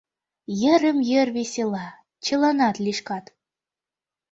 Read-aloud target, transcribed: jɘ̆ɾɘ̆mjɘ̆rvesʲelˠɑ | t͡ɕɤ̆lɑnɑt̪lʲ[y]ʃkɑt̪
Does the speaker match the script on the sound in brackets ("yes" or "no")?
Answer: no